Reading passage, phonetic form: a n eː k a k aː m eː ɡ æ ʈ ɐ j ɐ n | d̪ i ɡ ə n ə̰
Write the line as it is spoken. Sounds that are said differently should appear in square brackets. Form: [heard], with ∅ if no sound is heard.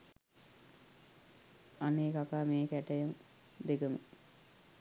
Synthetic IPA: a n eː k a k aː m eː [k] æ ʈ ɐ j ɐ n | d̪ [e] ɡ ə [m] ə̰